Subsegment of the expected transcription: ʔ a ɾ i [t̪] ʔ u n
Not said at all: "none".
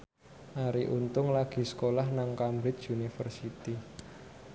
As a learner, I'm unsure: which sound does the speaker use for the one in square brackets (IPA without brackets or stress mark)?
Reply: none